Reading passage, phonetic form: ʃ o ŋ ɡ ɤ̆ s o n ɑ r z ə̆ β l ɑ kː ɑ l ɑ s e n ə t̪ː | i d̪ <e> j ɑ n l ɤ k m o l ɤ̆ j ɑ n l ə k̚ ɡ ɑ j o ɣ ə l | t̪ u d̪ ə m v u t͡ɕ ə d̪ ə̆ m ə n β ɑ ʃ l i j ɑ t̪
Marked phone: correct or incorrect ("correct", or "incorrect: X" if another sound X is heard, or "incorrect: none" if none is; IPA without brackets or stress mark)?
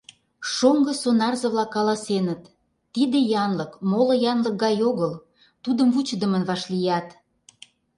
correct